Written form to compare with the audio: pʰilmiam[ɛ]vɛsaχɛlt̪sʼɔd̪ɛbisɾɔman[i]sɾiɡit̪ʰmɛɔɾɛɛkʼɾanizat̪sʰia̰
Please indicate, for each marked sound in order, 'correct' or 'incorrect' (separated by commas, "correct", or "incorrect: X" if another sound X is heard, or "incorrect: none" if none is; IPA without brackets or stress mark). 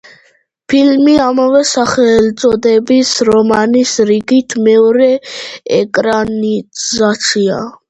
incorrect: a, correct